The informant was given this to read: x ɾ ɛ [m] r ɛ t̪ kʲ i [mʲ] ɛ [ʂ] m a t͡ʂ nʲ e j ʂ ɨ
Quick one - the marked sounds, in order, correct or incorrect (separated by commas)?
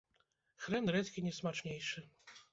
incorrect, incorrect, incorrect